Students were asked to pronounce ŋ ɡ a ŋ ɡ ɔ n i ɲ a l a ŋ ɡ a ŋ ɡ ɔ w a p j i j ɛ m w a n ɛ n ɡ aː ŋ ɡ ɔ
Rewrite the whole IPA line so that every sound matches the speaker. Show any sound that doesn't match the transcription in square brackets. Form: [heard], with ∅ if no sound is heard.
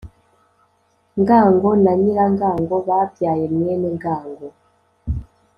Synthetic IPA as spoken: ŋ ɡ a ŋ ɡ ɔ n [a] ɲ [i] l a ŋ ɡ a ŋ ɡ ɔ [β] a p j [a] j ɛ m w [ɛ] n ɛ [ŋ] ɡ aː ŋ ɡ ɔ